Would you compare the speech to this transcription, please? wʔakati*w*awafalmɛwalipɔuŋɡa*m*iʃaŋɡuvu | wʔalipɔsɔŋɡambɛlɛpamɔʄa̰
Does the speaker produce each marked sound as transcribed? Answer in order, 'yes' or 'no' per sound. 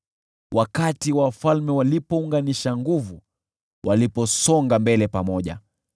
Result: yes, no

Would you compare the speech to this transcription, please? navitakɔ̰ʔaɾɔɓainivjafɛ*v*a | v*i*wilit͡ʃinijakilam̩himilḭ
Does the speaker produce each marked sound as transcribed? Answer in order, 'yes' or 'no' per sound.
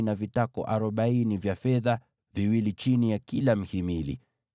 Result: no, yes

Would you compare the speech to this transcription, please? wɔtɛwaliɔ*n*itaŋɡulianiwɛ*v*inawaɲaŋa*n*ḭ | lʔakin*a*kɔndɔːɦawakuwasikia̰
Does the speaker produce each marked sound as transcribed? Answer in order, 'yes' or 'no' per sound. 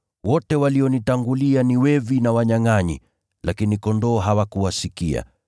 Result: yes, yes, no, no

